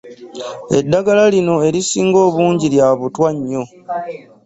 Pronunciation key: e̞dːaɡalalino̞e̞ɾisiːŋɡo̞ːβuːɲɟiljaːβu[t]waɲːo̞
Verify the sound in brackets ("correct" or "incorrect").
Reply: correct